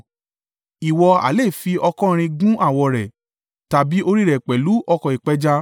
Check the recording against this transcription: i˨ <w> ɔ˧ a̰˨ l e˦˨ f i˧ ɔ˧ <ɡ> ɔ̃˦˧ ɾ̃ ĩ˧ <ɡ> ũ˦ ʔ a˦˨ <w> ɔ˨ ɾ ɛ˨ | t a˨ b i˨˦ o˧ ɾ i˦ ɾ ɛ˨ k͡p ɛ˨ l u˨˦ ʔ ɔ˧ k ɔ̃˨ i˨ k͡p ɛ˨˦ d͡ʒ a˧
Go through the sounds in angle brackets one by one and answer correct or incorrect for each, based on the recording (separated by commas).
correct, incorrect, correct, correct